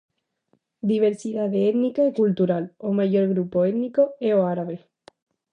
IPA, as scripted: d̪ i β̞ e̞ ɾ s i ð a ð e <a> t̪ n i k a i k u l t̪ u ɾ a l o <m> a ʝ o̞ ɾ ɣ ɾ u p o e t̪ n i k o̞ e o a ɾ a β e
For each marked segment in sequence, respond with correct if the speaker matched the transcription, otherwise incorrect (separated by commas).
incorrect, correct